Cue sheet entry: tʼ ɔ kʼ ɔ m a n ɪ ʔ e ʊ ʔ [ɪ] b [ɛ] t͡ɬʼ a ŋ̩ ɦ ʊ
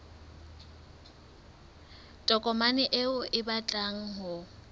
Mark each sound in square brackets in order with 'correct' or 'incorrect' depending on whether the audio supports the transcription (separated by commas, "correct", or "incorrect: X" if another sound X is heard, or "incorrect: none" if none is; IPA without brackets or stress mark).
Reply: correct, incorrect: a